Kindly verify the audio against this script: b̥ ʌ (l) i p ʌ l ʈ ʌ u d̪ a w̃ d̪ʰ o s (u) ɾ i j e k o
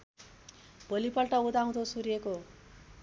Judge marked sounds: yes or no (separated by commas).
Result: yes, yes